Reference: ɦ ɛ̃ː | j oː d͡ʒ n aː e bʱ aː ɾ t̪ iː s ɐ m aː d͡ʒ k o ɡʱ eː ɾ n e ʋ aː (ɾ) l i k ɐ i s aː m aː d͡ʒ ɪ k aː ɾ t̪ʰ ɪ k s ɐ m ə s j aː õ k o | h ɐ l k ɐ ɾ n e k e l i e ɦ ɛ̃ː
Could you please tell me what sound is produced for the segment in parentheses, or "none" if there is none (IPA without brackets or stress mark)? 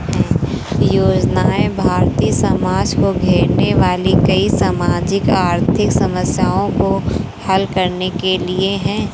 none